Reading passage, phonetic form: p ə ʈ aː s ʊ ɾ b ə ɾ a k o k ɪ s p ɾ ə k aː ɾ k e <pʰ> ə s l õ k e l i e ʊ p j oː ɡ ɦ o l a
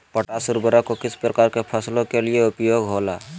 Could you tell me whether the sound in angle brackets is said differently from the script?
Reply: no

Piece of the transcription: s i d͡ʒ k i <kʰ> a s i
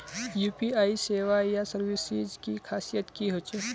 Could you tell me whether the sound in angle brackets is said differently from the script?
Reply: no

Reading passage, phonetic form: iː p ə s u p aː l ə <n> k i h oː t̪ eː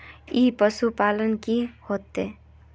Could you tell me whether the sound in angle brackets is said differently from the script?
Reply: no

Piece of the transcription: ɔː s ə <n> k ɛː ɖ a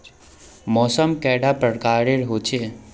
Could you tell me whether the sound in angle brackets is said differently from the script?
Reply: yes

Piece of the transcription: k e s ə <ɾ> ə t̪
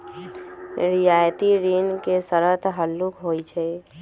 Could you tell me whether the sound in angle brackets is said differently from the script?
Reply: no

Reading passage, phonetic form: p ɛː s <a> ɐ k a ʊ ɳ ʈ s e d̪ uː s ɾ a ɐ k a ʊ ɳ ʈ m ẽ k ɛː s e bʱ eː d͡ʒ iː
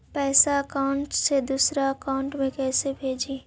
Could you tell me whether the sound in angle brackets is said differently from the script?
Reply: no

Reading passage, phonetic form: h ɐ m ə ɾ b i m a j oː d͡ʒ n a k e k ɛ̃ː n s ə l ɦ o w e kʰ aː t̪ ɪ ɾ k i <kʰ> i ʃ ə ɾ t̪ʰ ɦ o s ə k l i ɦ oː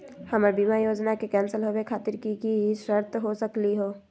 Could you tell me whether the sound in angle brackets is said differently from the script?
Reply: yes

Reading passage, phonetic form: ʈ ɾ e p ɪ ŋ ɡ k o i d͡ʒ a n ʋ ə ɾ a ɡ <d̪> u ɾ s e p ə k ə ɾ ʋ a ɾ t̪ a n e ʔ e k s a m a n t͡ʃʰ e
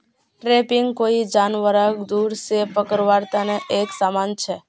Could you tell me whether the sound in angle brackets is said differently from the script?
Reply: no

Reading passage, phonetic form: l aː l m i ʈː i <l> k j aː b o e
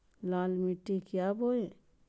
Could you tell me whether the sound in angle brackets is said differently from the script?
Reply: yes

